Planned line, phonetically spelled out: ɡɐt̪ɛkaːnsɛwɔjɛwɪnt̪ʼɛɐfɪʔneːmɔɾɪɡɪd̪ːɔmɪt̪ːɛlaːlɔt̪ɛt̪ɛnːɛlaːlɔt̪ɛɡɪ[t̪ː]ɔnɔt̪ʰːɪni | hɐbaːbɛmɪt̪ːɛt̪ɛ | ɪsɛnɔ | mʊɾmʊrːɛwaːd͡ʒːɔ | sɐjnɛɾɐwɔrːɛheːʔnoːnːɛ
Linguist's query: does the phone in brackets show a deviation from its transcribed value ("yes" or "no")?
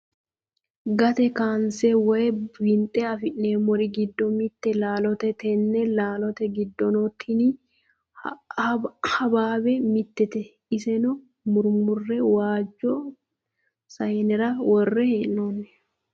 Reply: yes